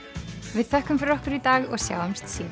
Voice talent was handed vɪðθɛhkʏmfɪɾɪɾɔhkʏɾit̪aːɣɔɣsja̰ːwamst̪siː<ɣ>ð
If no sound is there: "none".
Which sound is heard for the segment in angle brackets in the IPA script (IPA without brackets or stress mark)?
none